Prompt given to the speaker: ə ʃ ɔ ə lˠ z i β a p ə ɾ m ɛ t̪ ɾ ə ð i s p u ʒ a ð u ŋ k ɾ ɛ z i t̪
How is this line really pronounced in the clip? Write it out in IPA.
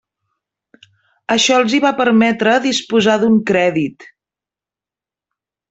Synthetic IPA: ə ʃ ɔ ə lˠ z i β a p ə ɾ m ɛ t̪ ɾ ə ð i s p u z a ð u ŋ k ɾ ɛ ð i t̪

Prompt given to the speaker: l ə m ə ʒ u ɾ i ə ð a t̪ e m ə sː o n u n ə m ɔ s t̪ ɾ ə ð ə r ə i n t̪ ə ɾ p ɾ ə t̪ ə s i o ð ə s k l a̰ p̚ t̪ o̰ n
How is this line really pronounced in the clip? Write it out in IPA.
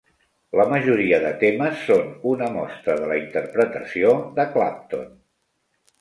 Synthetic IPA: l ə m ə ʒ u ɾ i ə ð ə t̪ e m ə sː o n u n ə m ɔ s t̪ ɾ ə ð ə l ə i n t̪ ə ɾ p ɾ ə t̪ ə s i o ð ə k l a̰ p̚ t̪ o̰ n

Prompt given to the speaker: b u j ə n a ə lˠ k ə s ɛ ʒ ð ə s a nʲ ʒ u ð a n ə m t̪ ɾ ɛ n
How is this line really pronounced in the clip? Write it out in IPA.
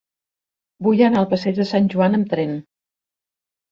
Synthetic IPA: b u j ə n a ə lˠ p ə s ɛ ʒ ð ə s a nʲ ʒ u a n ə m t̪ ɾ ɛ n

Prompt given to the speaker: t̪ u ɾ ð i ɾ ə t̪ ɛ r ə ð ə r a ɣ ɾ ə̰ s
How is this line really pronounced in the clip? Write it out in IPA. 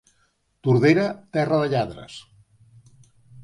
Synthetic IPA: t̪ u ɾ ð e ɾ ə t̪ ɛ r ə ð ə ʎ a ð ɾ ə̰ s

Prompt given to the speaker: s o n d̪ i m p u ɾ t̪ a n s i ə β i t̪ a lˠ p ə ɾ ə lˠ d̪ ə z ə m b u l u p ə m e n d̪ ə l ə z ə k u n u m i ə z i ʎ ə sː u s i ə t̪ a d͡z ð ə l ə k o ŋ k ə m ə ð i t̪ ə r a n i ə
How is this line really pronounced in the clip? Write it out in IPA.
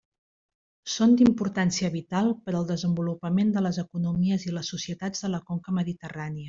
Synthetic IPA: s o n d̪ i m p u ɾ t̪ a n s i ə β i t̪ a lˠ p ə ɾ ə lˠ d̪ ə z ə m b u l u p ə m e n d̪ ə l ə z ə k u n u m i ə z i l ə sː u s i ə t̪ a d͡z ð ə l ə k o ŋ k ə m ə ð i t̪ ə r a n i ə

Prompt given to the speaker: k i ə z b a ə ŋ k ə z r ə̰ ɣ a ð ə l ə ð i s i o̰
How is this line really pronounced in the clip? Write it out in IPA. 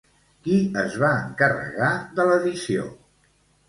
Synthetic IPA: k i ə z β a ə ŋ k ə r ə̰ ɣ a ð ə l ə ð i s i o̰

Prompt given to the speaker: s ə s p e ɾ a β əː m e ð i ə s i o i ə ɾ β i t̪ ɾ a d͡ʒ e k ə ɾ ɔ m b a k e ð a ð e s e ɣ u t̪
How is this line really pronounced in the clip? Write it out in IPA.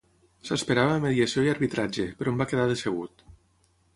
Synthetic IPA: s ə s p e ɾ a β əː m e ð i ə s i o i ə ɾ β i t̪ ɾ a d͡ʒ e p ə ɾ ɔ m b a k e ð a ð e s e ɣ u t̪

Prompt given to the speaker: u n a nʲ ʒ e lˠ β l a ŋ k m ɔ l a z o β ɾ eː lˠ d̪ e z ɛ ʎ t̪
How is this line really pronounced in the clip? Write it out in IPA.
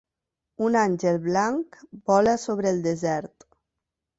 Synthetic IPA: u n a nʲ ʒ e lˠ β l a ŋ k b ɔ l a s o β ɾ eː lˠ d̪ e z ɛ ɾ t̪

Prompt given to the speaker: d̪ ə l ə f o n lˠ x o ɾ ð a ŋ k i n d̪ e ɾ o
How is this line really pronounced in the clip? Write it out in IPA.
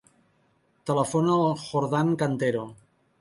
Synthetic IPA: t̪ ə l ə f o n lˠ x o ɾ ð a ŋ k a n t̪ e ɾ o

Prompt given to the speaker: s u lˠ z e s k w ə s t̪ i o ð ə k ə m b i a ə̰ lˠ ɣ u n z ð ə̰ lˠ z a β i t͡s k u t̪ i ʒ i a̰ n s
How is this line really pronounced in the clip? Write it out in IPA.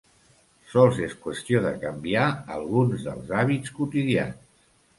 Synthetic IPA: s ɔ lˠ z e s k w ə s t̪ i o ð ə k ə m b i a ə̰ lˠ ɣ u n z ð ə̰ lˠ z a β i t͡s k u t̪ i ð i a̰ n s

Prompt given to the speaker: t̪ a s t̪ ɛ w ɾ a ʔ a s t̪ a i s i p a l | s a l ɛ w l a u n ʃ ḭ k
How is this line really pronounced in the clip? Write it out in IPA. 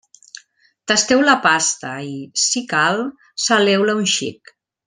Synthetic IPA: t̪ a s t̪ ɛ w l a p a s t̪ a i s i k a l | s a l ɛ w l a u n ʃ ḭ k

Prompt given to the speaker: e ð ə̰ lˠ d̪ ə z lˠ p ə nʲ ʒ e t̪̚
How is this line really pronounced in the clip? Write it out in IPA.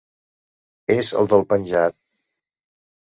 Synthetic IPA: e z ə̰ lˠ d̪ ə lˠ p ə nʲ ʒ a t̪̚

